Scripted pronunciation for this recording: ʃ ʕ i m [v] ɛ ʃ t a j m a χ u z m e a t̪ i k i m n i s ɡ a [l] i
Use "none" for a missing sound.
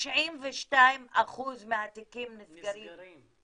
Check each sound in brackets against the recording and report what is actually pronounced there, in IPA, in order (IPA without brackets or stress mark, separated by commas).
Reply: v, ɾ